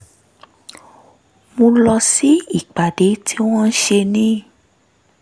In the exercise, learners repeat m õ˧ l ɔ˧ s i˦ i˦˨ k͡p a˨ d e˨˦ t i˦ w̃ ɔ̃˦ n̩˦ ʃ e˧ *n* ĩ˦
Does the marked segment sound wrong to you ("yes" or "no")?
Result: no